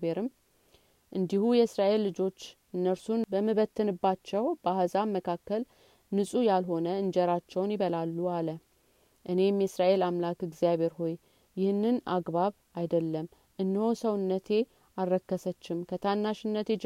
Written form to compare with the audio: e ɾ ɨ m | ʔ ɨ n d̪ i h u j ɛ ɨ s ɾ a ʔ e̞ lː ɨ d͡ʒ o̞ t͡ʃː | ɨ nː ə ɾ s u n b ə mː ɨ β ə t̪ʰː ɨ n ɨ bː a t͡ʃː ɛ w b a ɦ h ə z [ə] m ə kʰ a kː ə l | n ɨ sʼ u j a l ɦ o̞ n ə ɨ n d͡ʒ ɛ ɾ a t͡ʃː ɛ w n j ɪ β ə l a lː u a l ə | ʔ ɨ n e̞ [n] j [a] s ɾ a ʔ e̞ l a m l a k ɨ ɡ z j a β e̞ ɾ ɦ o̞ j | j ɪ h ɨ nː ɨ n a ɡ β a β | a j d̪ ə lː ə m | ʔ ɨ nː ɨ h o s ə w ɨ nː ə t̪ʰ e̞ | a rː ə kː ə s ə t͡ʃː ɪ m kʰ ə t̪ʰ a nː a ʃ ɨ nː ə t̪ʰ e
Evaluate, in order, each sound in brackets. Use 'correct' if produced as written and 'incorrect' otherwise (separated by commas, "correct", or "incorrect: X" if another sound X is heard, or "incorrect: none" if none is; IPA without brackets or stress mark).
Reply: incorrect: a, incorrect: m, incorrect: ɛ